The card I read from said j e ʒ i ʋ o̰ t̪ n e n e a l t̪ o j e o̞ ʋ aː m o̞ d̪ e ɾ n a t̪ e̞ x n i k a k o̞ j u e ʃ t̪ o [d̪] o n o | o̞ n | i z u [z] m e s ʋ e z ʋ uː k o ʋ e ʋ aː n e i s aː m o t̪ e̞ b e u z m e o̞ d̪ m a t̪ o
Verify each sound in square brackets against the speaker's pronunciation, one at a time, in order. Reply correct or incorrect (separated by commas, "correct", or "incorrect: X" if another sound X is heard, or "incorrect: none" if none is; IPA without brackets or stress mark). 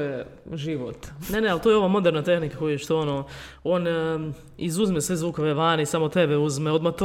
incorrect: none, correct